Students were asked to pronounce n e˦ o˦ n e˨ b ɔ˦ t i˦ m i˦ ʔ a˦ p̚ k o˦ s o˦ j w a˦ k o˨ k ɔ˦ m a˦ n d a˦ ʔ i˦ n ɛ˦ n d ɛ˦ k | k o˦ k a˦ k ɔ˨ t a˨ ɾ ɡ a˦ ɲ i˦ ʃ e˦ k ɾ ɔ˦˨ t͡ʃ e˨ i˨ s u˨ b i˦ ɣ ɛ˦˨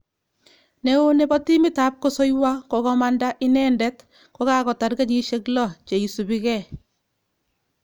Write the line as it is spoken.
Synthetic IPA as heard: n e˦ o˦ n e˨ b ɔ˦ t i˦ m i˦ t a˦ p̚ k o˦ s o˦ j w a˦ k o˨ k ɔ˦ m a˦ n d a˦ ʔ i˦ n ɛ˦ n d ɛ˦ t | k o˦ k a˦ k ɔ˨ t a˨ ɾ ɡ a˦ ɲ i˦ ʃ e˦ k l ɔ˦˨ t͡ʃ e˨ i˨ s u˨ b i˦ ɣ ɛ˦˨

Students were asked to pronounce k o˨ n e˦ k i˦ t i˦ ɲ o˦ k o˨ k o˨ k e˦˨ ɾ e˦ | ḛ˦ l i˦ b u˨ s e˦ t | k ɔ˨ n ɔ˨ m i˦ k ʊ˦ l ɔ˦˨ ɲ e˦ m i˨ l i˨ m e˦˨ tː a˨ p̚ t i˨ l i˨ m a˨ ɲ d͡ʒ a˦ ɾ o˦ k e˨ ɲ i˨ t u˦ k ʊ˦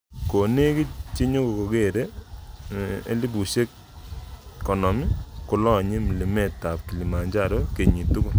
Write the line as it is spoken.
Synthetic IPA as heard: k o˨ n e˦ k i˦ t͡ʃ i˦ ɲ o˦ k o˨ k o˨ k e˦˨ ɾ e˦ | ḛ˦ l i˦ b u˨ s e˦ k | k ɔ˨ n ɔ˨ m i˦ k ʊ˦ l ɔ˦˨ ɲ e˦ m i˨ l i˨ m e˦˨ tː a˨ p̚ k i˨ l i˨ m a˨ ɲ d͡ʒ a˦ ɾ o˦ k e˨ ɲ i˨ t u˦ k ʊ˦

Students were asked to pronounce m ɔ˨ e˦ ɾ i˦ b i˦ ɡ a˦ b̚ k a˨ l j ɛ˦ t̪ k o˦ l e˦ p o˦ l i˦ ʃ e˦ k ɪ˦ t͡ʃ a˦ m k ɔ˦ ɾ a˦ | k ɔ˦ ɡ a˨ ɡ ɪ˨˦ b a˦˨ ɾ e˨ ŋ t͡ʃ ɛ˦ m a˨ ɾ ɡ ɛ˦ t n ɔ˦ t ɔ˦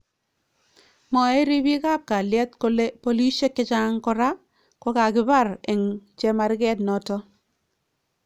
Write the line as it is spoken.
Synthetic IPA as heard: m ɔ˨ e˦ ɾ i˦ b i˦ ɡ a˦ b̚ k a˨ l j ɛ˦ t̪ k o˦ l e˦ p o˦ l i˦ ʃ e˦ k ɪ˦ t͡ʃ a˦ ŋ k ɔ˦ ɾ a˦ | k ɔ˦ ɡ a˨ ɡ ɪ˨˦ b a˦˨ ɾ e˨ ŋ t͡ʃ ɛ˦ m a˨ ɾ ɡ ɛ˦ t n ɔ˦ t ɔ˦

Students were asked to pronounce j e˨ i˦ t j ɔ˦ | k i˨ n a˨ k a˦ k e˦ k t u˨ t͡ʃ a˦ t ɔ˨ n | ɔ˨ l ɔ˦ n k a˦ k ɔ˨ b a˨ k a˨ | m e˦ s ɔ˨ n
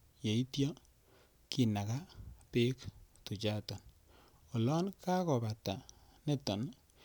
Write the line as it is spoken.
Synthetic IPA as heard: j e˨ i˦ t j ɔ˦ | k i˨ n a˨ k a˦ p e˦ k t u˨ t͡ʃ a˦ t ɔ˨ n | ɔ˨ l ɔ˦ n k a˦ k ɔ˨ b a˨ t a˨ | n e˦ t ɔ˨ n

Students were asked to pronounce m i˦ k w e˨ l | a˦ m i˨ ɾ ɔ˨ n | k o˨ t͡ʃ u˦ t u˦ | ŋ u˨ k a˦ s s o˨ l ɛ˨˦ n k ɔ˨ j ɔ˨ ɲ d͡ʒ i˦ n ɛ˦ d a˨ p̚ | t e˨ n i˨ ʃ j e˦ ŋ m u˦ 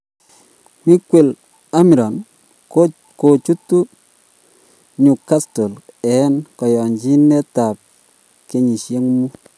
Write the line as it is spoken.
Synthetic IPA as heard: m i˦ k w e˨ l | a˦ m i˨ ɾ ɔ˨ n | k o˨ t͡ʃ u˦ t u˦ | ɲ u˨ k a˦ s t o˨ l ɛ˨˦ n k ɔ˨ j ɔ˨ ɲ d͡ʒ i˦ n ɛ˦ t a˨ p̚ | k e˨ ɲ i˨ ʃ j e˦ ŋ m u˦

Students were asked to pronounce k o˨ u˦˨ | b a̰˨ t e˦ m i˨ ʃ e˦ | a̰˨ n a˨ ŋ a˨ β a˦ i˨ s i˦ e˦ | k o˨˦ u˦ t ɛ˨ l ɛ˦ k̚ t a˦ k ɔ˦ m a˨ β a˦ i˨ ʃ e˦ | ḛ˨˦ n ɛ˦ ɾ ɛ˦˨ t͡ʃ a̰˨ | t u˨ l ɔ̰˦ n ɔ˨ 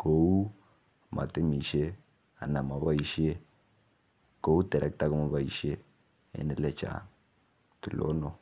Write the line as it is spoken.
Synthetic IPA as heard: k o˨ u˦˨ | m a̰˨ t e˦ m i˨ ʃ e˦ | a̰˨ n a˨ m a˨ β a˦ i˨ ʃ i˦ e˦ | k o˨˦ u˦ t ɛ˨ ɾ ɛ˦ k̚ t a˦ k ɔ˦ m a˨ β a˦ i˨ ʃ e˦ | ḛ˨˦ n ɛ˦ l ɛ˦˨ t͡ʃ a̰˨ | t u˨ l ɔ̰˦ n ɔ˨

